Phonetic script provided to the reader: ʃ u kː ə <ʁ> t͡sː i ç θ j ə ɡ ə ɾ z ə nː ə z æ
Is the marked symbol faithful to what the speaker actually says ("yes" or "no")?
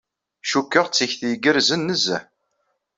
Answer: yes